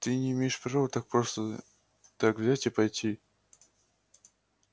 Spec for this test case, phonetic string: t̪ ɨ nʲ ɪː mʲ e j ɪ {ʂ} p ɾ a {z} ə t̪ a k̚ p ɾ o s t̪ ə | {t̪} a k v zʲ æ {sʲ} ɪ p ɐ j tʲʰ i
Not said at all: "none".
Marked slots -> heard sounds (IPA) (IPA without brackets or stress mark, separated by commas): ʂ, v, t̪, tʲ